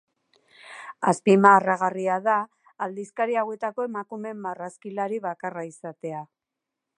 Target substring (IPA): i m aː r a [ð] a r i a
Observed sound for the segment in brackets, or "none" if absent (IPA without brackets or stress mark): ɣ